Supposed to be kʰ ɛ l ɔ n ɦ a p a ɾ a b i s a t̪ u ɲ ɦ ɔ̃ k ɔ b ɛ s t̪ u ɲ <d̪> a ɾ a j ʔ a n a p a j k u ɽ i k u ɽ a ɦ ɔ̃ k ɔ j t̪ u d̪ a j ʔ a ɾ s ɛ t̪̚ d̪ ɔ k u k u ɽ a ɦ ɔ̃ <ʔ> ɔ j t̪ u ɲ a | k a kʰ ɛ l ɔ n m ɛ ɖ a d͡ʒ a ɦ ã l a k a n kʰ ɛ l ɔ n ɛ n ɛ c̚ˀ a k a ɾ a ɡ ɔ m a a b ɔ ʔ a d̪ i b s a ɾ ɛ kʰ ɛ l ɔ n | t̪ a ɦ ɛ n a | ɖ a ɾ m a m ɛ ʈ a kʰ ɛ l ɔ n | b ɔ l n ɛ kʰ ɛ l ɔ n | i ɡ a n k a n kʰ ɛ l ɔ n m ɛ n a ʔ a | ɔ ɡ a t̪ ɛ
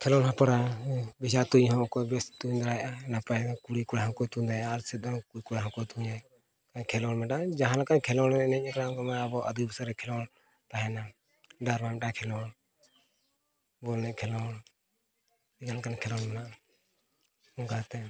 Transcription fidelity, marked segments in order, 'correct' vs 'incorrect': correct, incorrect: k

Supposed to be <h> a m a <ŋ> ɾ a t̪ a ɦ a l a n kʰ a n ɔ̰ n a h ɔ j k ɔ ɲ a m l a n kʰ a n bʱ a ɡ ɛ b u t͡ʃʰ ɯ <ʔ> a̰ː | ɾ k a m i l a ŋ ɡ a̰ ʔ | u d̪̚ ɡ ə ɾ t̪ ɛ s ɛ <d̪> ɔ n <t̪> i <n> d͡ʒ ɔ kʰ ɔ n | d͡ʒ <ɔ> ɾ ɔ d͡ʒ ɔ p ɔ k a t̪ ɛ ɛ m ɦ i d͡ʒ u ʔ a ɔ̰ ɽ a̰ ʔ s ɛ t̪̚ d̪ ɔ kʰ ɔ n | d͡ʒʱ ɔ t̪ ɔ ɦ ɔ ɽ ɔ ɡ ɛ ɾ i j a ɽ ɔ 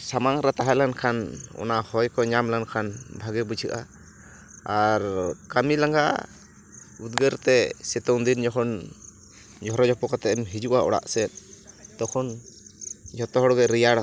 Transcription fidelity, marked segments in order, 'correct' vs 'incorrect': incorrect: s, correct, correct, incorrect: t̪, incorrect: d̪, correct, correct

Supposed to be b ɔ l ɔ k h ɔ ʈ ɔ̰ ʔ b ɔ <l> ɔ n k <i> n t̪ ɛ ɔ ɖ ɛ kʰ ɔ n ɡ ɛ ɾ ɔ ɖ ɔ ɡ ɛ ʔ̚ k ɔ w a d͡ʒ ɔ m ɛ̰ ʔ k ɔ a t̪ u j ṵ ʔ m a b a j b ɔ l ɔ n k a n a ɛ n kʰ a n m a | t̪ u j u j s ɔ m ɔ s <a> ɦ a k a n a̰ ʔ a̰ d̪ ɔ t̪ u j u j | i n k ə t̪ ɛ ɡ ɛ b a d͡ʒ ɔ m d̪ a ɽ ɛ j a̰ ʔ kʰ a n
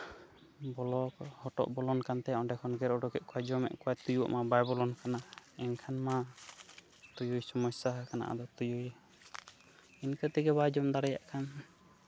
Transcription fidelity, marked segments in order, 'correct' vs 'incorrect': correct, incorrect: a, correct

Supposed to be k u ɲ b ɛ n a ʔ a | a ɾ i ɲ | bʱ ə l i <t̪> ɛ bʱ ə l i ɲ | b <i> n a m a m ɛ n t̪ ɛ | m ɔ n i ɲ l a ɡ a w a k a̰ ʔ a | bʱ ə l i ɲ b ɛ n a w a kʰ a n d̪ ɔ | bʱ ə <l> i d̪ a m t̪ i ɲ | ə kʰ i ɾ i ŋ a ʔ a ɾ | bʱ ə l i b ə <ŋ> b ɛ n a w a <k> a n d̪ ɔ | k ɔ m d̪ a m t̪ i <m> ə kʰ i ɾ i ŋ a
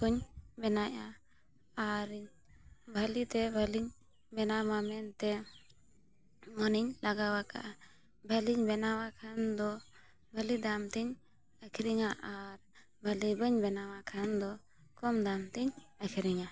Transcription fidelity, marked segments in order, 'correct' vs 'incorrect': correct, incorrect: ɛ, correct, incorrect: ɲ, incorrect: kʰ, incorrect: ɲ

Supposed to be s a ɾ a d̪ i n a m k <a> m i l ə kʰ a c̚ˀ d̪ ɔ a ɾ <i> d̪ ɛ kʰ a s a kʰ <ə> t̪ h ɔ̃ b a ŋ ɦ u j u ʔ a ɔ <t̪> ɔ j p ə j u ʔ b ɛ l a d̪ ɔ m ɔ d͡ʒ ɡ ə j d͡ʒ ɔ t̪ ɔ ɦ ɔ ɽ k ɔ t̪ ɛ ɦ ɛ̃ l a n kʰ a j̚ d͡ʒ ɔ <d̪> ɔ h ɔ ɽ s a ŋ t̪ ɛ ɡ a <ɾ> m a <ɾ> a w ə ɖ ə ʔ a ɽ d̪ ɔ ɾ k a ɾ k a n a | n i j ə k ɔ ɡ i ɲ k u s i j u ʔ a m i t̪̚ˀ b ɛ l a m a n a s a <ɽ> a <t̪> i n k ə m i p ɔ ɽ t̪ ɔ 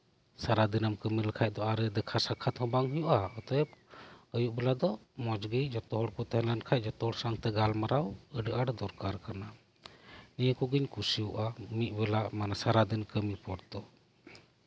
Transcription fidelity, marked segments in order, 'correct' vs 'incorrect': incorrect: ə, incorrect: ɛ, incorrect: a, correct, incorrect: t̪, incorrect: l, correct, incorrect: ɾ, incorrect: d̪

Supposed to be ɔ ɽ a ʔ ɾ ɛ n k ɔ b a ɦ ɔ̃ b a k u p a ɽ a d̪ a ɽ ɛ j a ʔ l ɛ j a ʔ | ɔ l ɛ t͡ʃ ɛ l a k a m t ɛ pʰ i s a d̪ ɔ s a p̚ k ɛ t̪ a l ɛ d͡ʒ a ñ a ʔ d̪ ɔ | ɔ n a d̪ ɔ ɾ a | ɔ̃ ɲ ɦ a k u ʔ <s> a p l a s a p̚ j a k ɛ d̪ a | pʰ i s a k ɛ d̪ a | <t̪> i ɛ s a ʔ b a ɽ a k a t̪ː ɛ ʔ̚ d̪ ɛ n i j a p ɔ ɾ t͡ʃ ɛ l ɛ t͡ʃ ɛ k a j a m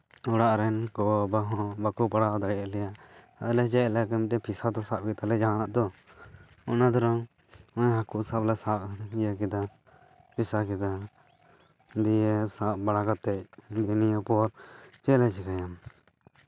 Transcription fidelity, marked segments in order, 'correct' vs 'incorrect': correct, incorrect: d̪

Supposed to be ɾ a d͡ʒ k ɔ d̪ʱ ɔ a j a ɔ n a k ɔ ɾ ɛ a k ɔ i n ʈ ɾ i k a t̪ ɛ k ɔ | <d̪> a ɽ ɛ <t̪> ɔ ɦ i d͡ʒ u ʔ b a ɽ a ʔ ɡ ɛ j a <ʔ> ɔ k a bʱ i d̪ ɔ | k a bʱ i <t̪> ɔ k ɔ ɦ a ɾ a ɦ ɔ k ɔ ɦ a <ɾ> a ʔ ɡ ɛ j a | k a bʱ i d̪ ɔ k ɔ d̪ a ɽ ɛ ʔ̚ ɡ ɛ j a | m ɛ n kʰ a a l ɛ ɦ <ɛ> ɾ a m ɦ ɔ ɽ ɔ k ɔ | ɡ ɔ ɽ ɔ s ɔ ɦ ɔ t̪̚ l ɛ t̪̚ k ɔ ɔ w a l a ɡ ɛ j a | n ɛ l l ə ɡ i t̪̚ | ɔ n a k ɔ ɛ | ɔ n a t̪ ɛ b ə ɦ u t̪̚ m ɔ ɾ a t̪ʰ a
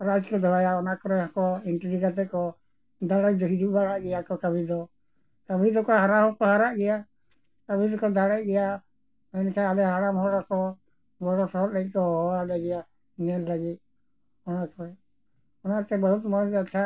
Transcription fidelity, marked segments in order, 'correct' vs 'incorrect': correct, incorrect: d̪, incorrect: k, incorrect: d̪, correct, incorrect: a

